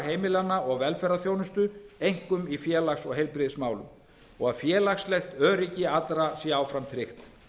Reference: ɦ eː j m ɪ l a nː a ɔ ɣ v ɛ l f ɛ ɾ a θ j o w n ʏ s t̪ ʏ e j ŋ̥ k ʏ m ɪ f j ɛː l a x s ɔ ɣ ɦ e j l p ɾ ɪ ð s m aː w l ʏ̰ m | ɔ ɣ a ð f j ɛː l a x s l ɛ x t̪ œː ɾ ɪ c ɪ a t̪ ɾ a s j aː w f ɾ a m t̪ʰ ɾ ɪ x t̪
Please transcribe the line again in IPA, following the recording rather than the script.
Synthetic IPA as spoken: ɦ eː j m ɪ l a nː a ɔ ɣ v ɛ l f ɛ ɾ a θ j o w n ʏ s t̪ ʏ e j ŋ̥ k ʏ m i f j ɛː l a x s ɔ ɣ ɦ e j l p ɾ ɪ ð s m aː w l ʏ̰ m | ɔ ɣ a ð f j ɛː l a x s l ɛ x t̪ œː ɾ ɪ c ɪ a t̪ ɾ a s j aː w f ɾ a m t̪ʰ ɾ ɪ x t̪